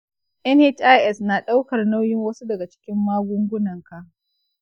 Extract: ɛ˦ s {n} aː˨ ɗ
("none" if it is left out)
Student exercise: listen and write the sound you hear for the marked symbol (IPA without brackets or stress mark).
n